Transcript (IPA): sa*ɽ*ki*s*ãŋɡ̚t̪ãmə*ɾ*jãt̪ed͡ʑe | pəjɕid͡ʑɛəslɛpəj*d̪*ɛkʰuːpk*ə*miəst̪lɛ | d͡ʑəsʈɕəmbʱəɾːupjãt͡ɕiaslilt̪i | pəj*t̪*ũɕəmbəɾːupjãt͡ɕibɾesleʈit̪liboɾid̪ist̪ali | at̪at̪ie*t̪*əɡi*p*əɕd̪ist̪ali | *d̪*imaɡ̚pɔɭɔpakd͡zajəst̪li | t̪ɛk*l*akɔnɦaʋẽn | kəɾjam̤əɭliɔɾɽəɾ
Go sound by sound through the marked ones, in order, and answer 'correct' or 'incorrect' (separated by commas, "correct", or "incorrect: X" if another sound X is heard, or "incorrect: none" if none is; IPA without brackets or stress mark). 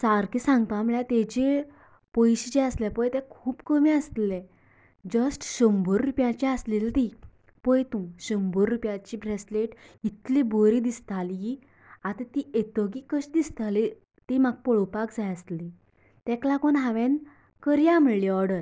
incorrect: ɾ, correct, incorrect: ɭ, incorrect: t̪, correct, correct, correct, incorrect: k, incorrect: t̪, correct